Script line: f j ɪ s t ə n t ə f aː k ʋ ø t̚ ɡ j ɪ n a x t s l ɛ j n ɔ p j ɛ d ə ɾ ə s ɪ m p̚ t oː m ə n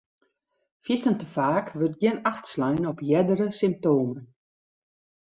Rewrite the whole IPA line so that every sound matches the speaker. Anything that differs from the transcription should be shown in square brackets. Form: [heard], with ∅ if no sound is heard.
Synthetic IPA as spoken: f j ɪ s t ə n t ə f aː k ʋ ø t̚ ɡ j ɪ n a x t s l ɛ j n ɔ p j ɛ d ə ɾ ə s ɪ m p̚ t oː m ə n